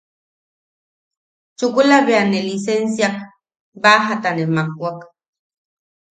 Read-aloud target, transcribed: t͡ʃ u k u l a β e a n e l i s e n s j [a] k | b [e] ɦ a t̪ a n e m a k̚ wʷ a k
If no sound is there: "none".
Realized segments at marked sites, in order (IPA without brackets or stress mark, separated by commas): a, a